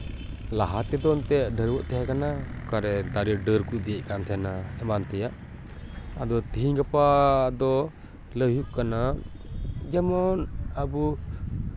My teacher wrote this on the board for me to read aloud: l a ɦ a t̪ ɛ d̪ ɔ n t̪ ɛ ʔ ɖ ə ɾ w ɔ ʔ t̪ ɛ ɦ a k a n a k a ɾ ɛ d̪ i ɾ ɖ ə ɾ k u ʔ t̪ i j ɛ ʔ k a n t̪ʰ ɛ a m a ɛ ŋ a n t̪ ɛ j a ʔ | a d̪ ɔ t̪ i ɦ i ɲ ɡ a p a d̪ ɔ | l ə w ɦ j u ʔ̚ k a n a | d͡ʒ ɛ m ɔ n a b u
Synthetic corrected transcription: l a ɦ a t̪ ɛ d̪ ɔ n t̪ ɛ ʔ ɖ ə ɾ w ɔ ʔ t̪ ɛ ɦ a k a n a k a ɾ ɛ d̪ a ɾ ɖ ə ɾ k u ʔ d̪ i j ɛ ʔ k a n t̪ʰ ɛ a n a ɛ m a n t̪ ɛ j a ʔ | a d̪ ɔ t̪ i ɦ i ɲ ɡ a p a d̪ ɔ | l ə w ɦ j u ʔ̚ k a n a | d͡ʒ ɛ m ɔ n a b u